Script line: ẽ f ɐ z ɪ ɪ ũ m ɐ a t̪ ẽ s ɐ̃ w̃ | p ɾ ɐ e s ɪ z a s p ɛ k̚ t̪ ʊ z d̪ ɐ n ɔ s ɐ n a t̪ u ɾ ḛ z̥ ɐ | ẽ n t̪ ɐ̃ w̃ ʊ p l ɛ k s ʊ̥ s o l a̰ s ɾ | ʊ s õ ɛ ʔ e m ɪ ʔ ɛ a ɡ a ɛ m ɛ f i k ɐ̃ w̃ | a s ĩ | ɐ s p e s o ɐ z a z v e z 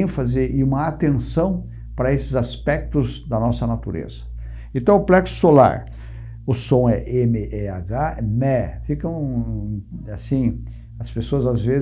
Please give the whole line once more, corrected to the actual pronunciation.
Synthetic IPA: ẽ f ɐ z ɪ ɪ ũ m ɐ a t̪ ẽ s ɐ̃ w̃ | p ɾ ɐ e s ɪ z a s p ɛ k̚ t̪ ʊ z d̪ ɐ n ɔ s ɐ n a t̪ u ɾ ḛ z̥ ɐ | ẽ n t̪ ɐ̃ w̃ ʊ p l ɛ k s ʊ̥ s o l a̰ ɾ | ʊ s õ ɛ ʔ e m ɪ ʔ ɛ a ɡ a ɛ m ɛ f i k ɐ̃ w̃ | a s ĩ | ɐ s p e s o ɐ z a z v e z